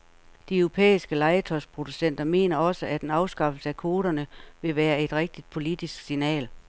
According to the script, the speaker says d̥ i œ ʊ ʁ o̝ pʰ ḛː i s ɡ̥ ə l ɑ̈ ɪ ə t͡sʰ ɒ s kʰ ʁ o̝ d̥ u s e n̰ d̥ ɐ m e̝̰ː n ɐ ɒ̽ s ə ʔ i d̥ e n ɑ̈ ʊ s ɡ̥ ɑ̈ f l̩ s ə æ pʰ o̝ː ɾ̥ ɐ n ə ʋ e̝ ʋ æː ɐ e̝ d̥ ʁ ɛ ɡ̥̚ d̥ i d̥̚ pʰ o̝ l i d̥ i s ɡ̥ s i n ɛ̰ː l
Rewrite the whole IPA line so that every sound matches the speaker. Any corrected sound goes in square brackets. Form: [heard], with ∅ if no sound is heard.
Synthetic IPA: d̥ i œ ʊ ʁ o̝ pʰ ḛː i s ɡ̥ ə l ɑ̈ ɪ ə t͡sʰ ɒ s [pʰ] ʁ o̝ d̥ u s e n̰ d̥ ɐ m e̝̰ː n ɐ ɒ̽ s ə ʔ [æ] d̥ e n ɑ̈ ʊ s ɡ̥ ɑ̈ f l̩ s ə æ [kʰ] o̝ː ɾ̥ ɐ n ə ʋ e̝ ʋ æː ɐ e̝ d̥ ʁ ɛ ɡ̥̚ d̥ i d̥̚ pʰ o̝ l i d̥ i s ɡ̥ s i n ɛ̰ː l